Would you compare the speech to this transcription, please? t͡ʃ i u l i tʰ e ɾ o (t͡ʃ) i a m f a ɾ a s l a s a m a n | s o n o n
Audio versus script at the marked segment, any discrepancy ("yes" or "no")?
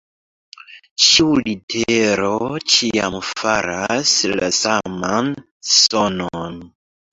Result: no